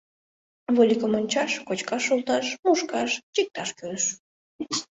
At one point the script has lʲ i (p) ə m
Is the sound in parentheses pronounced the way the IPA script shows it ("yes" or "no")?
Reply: no